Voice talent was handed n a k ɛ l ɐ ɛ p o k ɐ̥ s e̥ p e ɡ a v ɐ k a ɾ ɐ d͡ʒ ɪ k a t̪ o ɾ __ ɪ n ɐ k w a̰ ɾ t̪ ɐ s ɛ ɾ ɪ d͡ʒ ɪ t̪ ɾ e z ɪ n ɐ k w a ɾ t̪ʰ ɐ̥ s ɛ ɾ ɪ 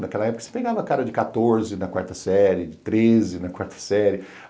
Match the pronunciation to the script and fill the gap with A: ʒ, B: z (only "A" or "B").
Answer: B